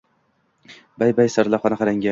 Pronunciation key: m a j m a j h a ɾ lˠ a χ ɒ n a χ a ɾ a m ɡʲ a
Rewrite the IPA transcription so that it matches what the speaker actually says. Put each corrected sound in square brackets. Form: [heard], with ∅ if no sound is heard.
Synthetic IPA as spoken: [b] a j [b] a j [s] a ɾ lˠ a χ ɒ n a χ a ɾ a [ŋ] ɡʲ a